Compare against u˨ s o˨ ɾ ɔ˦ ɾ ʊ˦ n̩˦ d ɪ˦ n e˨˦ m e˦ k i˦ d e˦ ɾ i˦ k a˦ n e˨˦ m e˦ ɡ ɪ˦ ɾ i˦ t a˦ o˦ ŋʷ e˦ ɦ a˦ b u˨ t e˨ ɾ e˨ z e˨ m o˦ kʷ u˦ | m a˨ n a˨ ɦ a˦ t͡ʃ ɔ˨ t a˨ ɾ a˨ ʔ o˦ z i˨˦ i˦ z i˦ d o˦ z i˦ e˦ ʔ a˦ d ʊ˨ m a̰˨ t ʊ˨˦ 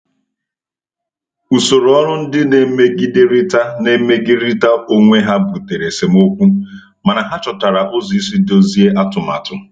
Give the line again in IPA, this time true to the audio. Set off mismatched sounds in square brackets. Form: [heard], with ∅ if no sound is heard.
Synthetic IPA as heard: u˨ s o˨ ɾ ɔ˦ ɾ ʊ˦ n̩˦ d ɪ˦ n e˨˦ m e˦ [ɡ] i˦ d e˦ ɾ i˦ [t] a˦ n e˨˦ m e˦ ɡ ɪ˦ ɾ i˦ t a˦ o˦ ŋʷ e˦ ɦ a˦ b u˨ t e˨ ɾ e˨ [s] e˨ m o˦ kʷ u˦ | m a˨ n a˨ ɦ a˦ t͡ʃ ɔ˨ t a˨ ɾ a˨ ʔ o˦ z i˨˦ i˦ [s] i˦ d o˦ z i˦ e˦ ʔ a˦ [t] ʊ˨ m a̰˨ t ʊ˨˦